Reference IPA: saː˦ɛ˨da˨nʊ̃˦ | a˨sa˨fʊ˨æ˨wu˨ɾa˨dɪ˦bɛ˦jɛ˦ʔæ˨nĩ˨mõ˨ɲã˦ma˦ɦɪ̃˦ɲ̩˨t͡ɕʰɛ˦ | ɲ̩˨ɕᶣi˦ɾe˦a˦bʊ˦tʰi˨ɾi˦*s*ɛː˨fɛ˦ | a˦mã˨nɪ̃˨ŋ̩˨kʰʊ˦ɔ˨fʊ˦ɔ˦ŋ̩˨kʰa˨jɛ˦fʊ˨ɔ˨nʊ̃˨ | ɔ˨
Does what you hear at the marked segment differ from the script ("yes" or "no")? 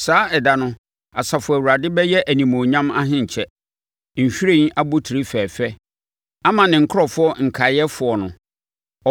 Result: yes